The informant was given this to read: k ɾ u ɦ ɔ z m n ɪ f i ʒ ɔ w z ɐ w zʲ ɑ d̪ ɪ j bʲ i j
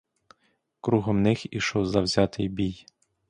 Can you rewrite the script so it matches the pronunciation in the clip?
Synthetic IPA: k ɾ u ɦ ɔ m n ɪ x i ʃ ɔ w z ɐ w zʲ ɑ t̪ ɪ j bʲ i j